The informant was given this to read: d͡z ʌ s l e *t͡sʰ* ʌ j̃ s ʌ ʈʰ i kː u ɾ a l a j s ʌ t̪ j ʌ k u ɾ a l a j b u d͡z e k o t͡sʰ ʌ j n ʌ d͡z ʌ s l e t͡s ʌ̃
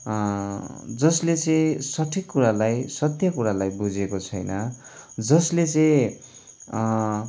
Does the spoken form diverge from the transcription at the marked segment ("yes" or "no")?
yes